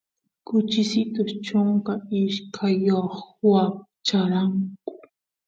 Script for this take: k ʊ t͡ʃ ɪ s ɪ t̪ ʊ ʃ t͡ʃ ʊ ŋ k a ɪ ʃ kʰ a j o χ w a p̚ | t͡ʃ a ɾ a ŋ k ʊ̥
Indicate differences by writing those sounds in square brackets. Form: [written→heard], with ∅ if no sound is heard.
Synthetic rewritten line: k ʊ t͡ʃ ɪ s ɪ t̪ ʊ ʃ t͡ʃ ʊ ŋ k a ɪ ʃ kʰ a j o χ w a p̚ | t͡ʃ a ɾ a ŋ k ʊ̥